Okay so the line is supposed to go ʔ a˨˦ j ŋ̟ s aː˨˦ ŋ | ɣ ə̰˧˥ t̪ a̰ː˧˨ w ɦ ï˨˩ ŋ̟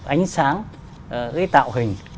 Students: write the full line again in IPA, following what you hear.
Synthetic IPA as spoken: ʔ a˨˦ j ŋ̟ s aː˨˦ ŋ | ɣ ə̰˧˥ t̪ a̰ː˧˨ w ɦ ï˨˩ ŋ̟